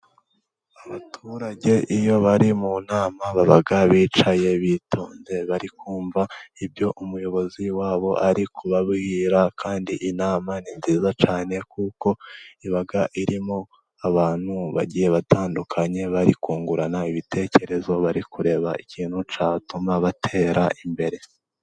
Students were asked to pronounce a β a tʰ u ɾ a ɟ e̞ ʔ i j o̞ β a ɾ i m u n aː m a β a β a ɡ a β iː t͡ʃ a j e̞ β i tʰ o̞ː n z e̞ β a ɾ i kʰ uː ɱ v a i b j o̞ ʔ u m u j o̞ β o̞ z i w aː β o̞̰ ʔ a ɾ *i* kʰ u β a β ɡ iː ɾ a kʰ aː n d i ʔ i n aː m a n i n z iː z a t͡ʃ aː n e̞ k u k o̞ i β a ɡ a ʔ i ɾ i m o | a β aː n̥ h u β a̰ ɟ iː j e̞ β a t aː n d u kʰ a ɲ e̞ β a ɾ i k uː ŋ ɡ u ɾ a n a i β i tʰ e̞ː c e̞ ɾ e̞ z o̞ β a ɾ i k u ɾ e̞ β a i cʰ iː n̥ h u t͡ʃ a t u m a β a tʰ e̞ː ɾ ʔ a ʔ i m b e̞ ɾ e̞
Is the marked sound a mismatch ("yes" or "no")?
no